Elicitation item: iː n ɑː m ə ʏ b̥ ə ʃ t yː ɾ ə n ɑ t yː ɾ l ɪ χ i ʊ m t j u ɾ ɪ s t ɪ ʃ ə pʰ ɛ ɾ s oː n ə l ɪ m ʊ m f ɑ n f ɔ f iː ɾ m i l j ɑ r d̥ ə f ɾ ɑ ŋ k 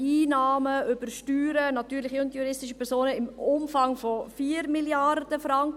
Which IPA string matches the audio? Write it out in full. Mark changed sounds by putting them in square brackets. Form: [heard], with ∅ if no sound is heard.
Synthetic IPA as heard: iː n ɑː m ə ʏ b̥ ə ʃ t yː ɾ ə n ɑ t yː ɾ l ɪ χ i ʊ [n] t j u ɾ ɪ s t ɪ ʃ ə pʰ ɛ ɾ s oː n ə [∅] ɪ m ʊ m f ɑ [ŋ] f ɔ f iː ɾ m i l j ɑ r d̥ ə f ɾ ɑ ŋ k